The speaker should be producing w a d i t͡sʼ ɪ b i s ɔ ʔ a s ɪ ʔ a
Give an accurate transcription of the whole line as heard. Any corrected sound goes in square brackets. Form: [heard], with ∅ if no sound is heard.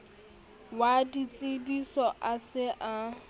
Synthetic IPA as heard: w a d i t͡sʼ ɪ b i s ɔ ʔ a s ɪ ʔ a

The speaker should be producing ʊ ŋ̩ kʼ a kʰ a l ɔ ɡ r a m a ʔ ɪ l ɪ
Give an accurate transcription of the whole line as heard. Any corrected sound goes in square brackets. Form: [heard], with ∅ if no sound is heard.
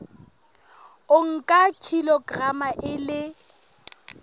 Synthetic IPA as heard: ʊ ŋ̩ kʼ a kʰ [i] l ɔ ɡ r a m a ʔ ɪ l ɪ

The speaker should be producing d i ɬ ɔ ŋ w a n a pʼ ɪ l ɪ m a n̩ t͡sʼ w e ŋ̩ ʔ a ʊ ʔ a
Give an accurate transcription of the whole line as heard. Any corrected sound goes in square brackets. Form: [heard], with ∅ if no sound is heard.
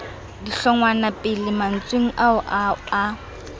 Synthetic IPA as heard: d i ɬ ɔ ŋ w a n a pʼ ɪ l ɪ m a n̩ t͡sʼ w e ŋ̩ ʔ a ʊ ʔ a

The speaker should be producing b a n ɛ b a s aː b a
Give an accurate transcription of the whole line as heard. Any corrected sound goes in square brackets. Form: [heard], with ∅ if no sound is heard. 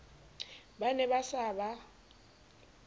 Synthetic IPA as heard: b a n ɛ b a s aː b a

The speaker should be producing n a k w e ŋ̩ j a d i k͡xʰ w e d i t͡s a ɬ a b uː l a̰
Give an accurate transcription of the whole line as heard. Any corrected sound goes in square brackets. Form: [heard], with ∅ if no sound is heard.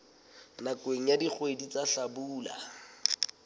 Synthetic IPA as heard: n a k w e ŋ̩ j a d i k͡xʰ w e d i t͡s a ɬ a b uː l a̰

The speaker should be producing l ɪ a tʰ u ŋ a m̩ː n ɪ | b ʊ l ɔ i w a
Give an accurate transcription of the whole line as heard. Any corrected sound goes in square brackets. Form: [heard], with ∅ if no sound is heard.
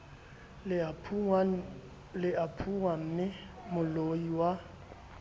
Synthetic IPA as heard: l ɪ a [pʰ] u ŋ a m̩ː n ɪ | [m] ʊ l [o] i w a

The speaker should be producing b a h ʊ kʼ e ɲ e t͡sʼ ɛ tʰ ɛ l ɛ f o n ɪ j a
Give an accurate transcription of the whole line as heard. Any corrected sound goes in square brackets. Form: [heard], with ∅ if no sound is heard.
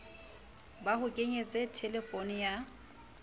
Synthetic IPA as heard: b a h ʊ kʼ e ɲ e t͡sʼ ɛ tʰ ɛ l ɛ f o n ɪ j a

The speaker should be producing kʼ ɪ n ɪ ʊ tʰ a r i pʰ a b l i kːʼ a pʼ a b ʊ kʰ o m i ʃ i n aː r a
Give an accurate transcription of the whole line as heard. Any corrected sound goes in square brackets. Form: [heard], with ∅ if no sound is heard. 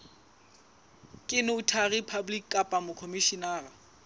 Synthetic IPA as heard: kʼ ɪ n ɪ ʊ tʰ a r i pʰ a b l i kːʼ a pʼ a [m] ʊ kʰ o m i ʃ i n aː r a

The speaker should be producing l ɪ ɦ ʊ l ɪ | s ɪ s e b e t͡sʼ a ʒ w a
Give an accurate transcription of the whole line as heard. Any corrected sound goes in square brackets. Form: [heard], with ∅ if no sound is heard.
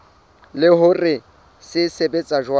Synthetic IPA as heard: l ɪ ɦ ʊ [r] ɪ | s ɪ s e b e t͡sʼ a ʒ w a

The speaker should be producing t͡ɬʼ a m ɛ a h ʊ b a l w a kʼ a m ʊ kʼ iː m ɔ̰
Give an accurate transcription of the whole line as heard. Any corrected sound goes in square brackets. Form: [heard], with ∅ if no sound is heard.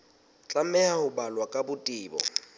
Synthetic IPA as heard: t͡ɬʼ a m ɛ a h ʊ b a l w a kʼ a [b] ʊ [tʼ] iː [b] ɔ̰

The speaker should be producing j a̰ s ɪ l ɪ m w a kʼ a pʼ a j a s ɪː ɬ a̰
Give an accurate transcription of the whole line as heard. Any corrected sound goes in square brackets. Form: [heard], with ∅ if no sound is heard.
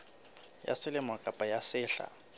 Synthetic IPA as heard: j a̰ s ɪ l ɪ m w a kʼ a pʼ a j a s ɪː ɬ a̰

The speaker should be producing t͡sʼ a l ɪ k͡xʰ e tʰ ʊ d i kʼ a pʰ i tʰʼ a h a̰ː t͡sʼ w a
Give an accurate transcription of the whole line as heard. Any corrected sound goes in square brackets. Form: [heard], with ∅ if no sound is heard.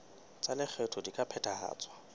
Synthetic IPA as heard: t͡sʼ a l ɪ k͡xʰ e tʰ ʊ d i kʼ a pʰ [ɛ] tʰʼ a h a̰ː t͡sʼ w a

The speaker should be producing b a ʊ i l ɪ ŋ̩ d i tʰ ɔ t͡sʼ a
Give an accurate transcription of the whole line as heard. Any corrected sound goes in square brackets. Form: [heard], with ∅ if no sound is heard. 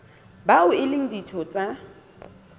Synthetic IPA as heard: b a ʊ [ɪ] l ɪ ŋ̩ d i tʰ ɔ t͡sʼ a

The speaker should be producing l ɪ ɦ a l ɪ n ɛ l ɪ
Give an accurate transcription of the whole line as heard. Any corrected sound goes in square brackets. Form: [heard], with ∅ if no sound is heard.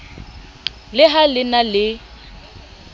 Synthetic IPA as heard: l ɪ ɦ a l ɪ n [a] l ɪ

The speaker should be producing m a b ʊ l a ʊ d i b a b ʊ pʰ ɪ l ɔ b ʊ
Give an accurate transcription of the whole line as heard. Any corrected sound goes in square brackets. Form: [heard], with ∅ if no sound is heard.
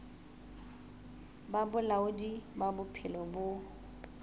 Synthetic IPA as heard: [b] a b ʊ l a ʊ d i b a b ʊ pʰ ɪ l ɔ b ʊ

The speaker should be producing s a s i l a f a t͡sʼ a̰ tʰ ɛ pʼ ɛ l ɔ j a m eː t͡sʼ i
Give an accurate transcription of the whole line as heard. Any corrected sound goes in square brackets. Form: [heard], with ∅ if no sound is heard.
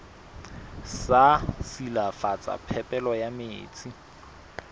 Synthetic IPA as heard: s a s i l a f a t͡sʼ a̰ [pʰ] ɛ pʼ ɛ l ɔ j a m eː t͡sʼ i

